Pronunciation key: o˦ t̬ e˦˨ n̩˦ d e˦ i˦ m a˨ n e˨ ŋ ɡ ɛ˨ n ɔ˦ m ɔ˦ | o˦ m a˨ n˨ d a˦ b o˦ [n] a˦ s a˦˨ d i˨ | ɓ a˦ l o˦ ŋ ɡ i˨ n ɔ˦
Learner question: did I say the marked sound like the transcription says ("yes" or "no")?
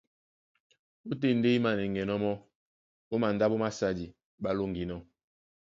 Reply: no